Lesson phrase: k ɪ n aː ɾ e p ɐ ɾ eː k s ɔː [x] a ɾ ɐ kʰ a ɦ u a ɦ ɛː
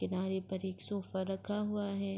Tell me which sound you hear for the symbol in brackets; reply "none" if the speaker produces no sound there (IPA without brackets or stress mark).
f